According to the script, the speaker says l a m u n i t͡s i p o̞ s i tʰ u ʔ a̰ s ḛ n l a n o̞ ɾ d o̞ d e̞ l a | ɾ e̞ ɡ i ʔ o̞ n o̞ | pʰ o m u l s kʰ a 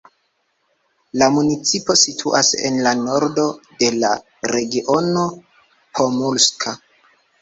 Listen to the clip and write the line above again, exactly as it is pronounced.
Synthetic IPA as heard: l a m u n i t͡s i p o̞ s i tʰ u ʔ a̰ s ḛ n l a n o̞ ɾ d o̞ d e̞ l a | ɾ e̞ ɡ i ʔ o̞ n o̞ | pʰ o m u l s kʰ a